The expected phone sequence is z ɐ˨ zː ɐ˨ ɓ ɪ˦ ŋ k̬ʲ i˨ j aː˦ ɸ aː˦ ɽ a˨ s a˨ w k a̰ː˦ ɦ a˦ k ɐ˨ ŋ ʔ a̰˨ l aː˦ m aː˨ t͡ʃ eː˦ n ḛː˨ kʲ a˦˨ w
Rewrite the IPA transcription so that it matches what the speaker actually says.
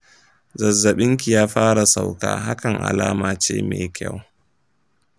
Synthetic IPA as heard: z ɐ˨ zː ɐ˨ ɓ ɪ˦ ŋ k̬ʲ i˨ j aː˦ ɸ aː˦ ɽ a˨ s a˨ w k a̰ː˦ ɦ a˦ k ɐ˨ ŋ ʔ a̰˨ l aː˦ m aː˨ t͡ʃ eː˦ m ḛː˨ kʲ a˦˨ w